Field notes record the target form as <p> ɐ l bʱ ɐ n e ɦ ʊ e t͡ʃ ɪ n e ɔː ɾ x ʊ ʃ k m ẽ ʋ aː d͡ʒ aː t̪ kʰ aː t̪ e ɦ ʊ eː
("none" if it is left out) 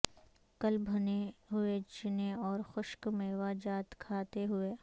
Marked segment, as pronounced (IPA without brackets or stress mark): k